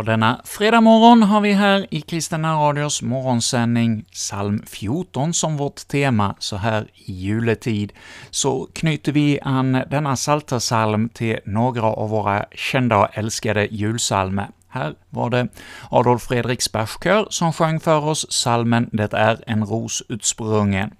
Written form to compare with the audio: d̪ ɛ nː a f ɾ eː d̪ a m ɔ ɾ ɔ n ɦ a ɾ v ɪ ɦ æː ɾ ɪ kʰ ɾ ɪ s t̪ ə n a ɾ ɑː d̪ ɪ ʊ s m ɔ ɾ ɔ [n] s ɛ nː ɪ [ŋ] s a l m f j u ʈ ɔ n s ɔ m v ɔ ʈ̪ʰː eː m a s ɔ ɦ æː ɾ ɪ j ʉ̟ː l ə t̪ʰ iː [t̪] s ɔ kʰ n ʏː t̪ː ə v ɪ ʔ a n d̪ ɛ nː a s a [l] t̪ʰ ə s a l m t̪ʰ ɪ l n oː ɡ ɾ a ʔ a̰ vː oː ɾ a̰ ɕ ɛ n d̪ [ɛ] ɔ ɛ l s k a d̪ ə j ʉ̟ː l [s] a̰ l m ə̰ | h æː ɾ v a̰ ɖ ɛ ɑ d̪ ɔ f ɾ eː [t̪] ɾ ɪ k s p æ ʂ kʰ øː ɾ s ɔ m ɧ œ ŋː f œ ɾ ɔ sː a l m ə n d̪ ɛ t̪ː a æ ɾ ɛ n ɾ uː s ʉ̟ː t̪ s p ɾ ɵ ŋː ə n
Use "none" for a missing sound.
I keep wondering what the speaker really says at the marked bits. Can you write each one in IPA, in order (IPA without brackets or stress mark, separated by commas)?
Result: n, ŋ, d̪, l, a, s, d̪